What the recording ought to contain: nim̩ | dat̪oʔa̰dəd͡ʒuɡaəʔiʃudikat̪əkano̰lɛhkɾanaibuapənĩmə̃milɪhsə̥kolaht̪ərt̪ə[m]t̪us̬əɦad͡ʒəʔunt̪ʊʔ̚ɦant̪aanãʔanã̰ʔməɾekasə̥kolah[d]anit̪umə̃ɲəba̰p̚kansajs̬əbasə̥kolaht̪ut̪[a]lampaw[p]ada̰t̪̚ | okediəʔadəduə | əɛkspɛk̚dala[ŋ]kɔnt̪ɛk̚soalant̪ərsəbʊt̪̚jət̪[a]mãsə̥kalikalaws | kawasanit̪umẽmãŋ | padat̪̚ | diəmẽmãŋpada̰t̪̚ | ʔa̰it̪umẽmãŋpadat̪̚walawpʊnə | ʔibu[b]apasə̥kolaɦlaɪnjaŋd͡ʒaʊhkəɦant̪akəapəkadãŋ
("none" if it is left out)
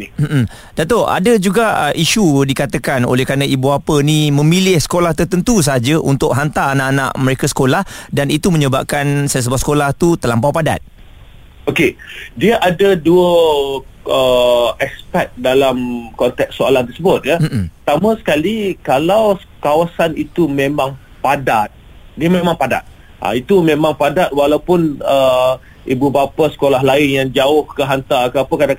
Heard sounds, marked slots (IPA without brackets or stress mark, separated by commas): n, d, ə, p, m, a, b